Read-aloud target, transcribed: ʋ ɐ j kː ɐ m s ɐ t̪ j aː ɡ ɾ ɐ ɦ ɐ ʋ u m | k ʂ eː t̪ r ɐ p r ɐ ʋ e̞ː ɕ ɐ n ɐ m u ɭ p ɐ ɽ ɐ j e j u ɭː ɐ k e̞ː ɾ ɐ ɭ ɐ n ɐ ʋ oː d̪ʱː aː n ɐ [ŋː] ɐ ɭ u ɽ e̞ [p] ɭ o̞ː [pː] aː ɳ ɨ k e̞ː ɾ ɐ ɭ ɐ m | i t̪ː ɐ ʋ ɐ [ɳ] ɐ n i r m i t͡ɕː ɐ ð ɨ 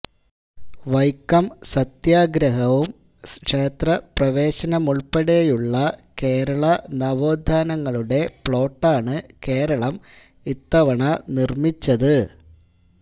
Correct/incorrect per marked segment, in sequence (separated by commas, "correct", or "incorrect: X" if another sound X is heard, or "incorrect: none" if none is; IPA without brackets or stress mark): correct, correct, incorrect: ʈː, correct